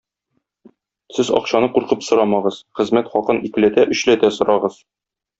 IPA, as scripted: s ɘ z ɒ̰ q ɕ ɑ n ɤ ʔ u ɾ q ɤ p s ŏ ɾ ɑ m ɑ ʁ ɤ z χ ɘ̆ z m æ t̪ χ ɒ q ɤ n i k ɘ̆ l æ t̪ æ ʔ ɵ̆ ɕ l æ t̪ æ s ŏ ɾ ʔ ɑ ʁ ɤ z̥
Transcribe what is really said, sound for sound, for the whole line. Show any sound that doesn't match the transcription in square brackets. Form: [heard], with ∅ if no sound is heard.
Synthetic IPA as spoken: s ɘ z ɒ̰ q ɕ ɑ n ɤ [q] u ɾ q ɤ p s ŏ ɾ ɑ m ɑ ʁ ɤ z χ ɘ̆ z m æ t̪ χ ɒ q ɤ n i k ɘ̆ l æ t̪ æ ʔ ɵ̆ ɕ l æ t̪ æ s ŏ ɾ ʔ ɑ ʁ ɤ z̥